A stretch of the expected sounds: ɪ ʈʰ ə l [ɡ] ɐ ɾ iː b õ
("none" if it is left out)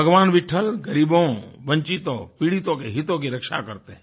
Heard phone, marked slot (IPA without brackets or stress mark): ɡ